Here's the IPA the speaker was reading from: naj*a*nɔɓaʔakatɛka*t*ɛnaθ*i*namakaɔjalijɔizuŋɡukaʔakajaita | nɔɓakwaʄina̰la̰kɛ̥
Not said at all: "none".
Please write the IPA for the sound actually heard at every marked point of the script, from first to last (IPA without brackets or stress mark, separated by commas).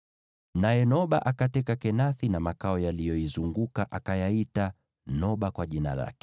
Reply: ɛ, k, i